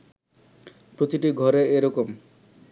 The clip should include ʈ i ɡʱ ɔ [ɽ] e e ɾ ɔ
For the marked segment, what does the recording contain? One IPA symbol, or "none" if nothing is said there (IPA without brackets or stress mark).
ɾ